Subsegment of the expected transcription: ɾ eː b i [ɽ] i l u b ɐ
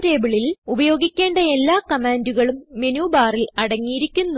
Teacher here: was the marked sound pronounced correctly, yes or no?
no